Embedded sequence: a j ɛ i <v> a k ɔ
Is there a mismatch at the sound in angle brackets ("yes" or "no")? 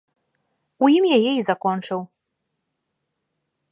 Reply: yes